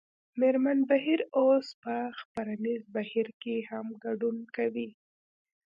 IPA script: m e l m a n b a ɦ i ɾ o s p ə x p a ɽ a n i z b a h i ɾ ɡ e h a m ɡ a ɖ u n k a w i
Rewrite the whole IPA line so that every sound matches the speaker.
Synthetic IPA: m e ɾ m a n b a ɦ i ɾ o s p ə x p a ɾ a n i z b a h i ɾ k e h a m ɡ a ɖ u n k a w i